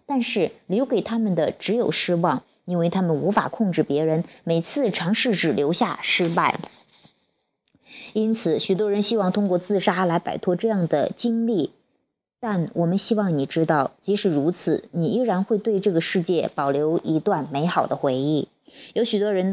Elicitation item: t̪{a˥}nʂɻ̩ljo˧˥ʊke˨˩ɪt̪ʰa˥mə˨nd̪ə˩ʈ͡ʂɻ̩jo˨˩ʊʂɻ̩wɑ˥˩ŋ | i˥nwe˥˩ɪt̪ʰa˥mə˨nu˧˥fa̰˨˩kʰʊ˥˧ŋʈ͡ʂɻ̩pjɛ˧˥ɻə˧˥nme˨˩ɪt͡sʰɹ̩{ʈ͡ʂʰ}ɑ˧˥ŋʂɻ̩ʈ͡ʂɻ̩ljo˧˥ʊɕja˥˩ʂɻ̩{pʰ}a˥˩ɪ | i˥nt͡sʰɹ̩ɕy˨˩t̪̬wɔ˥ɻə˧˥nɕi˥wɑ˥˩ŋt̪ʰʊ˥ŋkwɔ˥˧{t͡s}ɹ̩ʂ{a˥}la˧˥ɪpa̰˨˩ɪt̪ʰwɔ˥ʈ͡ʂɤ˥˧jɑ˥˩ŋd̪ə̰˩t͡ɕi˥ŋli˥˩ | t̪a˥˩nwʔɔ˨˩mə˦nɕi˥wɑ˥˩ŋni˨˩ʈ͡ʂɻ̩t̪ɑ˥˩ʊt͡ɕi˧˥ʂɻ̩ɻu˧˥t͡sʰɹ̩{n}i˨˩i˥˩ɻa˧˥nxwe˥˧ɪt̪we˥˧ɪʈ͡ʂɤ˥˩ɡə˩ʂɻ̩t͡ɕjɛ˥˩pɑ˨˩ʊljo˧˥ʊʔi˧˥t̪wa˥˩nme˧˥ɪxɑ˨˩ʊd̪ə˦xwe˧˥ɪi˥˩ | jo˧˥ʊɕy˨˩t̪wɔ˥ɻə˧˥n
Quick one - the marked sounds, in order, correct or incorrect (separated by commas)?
incorrect, correct, incorrect, correct, correct, correct